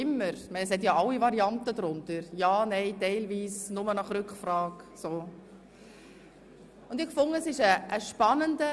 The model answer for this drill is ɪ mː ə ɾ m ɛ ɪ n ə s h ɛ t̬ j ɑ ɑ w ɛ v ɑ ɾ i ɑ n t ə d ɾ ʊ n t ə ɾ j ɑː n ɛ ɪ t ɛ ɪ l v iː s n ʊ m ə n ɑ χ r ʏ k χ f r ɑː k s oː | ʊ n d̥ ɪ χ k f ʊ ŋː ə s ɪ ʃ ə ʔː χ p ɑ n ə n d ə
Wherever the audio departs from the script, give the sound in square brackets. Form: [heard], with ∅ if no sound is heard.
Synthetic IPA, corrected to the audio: ɪ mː ə ɾ m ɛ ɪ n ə s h ɛ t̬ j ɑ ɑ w [i] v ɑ ɾ i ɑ n t ə d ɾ ʊ n t ə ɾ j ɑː n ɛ ɪ t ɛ ɪ l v iː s n ʊ m ə n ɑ χ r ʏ k χ f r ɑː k s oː | ʊ n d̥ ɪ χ k f ʊ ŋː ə s ɪ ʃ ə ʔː [ʃ] p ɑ n ə n d ə